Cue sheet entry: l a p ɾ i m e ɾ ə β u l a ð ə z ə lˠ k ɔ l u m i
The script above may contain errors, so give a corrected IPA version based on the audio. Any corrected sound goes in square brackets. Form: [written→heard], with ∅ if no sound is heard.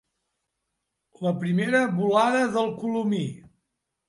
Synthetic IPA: l [a→ə] p ɾ i m e ɾ ə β u l a ð ə [z→ð] ə lˠ k [ɔ→u] l u m i